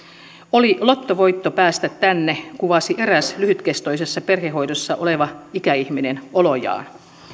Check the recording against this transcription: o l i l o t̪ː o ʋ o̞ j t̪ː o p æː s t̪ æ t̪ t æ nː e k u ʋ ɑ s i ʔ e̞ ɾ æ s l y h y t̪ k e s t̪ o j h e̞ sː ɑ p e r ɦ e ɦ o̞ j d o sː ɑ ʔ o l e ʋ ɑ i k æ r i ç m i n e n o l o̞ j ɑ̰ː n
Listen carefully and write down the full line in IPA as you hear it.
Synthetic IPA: o l i l o t̪ː o ʋ o̞ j t̪ː o p æː s t̪ æ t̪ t æ nː e k u ʋ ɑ s i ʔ e̞ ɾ æ s l y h y t̪ k e s t̪ o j s e̞ sː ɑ p e r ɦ e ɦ o̞ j d o sː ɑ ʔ o l e ʋ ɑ i k æ i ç m i n e n o l o̞ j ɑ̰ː n